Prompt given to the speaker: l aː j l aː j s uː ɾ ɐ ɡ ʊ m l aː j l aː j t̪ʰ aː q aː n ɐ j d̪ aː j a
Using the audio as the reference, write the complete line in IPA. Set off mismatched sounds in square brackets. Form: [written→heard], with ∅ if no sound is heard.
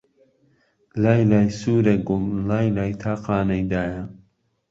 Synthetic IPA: l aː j l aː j s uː ɾ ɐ ɡ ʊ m l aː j l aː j t̪ʰ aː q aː n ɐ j d̪ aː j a